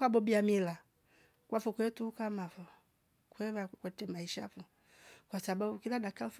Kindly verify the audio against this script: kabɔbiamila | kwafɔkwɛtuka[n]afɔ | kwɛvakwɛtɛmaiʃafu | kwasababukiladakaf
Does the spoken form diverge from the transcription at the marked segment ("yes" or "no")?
yes